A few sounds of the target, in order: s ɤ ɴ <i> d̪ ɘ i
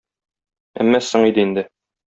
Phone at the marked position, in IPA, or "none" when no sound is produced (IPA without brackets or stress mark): i